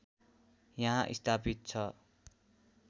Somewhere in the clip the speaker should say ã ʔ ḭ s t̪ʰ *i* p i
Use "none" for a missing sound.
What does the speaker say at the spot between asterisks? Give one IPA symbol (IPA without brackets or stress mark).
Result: a